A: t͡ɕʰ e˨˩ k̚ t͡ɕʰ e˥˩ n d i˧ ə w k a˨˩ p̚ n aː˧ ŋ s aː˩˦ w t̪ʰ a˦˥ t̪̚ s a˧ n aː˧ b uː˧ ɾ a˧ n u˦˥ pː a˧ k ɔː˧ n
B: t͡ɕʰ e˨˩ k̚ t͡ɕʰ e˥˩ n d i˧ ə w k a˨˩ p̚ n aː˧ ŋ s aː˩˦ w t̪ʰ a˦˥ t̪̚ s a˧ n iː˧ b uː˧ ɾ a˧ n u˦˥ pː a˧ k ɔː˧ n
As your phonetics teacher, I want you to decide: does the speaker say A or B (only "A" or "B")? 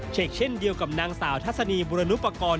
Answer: B